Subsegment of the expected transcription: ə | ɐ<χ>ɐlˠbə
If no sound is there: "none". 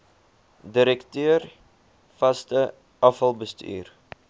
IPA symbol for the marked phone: f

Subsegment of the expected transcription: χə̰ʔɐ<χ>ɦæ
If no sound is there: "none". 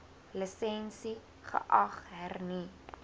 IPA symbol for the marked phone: χ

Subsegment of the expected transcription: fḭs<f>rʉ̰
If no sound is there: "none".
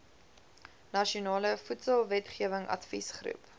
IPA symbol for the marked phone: χ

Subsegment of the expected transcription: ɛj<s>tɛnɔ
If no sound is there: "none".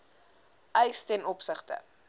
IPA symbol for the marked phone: s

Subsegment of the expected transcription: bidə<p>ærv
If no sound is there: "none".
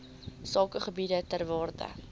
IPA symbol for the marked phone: t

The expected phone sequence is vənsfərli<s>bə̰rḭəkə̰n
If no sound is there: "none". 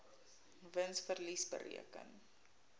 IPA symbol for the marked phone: s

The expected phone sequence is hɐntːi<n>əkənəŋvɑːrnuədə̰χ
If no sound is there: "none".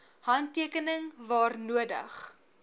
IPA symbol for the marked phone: none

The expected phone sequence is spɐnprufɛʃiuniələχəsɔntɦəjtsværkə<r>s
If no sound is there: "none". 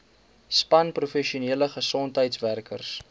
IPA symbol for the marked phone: r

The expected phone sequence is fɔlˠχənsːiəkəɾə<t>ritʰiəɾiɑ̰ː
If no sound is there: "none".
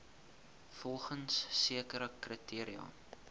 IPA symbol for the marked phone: k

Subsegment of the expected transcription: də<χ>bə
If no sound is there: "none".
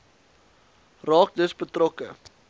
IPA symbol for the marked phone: s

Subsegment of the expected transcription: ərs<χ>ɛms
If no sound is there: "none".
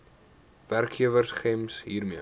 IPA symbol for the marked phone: χ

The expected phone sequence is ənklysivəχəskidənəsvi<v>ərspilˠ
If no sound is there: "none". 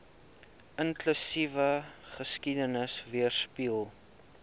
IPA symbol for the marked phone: none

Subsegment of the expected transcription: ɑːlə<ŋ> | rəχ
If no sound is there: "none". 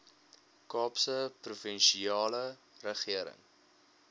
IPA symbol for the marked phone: none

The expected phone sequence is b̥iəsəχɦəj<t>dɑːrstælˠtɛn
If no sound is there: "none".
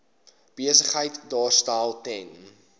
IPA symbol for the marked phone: t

